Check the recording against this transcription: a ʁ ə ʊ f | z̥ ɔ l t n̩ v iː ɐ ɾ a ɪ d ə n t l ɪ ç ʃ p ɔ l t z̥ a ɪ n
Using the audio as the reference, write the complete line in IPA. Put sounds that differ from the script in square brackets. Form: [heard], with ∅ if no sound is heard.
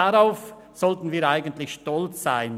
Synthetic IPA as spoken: a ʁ [a] ʊ f | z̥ ɔ l t n̩ v iː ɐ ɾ a ɪ [ɡ] ə n t l ɪ ç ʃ [t] ɔ l [t͡s] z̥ a ɪ n